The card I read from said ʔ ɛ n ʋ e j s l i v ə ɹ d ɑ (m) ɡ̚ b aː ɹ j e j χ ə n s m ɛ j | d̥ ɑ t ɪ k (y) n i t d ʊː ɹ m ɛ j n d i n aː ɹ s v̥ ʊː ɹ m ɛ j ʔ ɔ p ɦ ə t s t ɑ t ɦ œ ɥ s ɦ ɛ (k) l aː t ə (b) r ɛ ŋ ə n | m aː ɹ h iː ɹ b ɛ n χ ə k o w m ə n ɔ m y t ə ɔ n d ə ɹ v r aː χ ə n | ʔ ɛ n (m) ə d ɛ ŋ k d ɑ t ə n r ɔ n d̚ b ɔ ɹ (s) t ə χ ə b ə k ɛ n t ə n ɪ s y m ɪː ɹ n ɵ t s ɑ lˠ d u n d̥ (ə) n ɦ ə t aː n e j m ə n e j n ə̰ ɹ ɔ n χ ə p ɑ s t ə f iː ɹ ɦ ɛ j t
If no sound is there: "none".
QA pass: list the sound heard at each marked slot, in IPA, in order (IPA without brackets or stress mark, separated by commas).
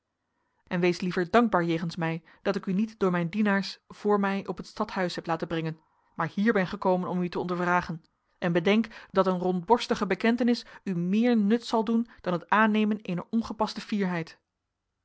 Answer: ŋ, y, p, b, b, s, ɑ